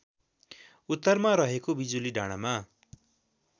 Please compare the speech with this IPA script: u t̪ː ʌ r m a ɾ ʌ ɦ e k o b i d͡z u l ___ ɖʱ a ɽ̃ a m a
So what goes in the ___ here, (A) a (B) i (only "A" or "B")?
B